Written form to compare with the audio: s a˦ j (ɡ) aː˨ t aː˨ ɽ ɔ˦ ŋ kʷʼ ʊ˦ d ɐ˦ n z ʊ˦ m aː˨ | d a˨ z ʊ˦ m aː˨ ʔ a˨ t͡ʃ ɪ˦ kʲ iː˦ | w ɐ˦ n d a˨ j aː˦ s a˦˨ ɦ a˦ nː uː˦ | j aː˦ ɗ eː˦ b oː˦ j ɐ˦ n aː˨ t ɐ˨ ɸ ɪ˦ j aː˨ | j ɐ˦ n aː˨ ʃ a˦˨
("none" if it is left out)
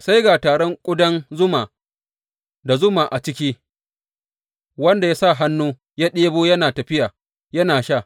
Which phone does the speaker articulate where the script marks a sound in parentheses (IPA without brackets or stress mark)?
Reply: ɡ